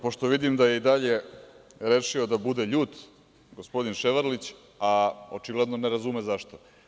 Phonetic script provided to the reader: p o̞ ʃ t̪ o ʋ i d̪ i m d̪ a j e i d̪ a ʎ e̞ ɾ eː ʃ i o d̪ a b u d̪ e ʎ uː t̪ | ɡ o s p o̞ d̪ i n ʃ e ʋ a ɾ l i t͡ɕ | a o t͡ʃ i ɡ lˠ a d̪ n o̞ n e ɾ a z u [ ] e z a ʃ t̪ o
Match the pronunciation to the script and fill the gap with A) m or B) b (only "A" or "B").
A